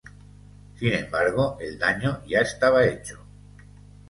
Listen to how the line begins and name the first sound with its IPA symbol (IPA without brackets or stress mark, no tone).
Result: s